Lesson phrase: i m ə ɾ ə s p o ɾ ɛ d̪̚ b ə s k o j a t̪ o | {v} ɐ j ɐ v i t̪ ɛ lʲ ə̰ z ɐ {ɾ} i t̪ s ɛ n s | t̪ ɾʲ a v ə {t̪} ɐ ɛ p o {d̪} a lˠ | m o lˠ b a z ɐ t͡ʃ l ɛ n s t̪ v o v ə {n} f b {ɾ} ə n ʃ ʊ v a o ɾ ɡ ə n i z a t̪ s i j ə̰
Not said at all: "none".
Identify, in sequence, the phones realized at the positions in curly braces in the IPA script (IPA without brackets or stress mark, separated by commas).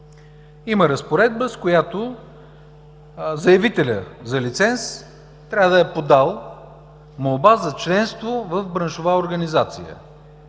z, l, d̪, d̪, none, ɾ